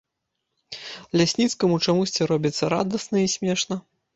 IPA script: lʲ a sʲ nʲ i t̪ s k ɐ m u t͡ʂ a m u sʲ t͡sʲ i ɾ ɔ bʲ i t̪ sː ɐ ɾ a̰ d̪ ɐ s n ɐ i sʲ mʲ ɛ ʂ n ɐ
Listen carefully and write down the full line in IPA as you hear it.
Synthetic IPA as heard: lʲ a sʲ nʲ i t̪ s k ɐ m u t͡ʂ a m u sʲ t͡sʲ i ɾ ɔ bʲ i t̪ sː ɐ ɾ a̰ d̪ ɐ s n ɐ i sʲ mʲ ɛ ʂ n ɐ